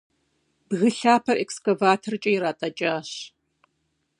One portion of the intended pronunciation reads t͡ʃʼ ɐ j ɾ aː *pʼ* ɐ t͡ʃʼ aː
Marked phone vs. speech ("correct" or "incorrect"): incorrect